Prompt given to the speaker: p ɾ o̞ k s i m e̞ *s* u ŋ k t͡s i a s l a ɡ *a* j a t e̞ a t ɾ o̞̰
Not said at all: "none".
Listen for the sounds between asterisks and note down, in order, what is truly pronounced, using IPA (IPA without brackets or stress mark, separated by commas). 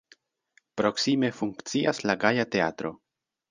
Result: f, a